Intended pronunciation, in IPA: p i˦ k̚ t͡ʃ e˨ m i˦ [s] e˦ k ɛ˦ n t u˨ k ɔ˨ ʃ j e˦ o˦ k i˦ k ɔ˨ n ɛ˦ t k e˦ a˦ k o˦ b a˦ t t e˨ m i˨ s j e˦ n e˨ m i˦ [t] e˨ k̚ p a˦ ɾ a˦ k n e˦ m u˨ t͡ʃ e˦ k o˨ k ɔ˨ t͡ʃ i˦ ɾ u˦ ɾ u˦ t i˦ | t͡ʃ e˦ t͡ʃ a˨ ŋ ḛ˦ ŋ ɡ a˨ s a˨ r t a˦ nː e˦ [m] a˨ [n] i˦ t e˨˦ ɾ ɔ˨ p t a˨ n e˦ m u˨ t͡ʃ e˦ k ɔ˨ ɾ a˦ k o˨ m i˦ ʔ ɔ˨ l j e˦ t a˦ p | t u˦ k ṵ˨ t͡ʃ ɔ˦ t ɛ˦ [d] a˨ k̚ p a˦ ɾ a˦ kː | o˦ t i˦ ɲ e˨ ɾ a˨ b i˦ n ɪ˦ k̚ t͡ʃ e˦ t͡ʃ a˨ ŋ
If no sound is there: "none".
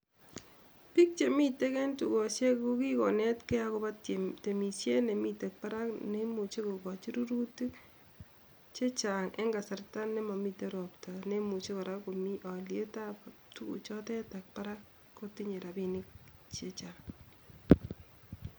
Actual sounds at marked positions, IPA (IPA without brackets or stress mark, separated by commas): t, t, m, m, t